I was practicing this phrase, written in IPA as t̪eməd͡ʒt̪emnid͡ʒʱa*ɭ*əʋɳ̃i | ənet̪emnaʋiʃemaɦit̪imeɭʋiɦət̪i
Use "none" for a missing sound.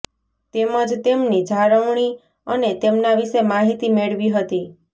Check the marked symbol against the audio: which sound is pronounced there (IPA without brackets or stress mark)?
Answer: ɾ